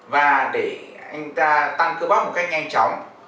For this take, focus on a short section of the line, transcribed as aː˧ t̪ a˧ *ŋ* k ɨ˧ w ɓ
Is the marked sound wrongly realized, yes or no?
no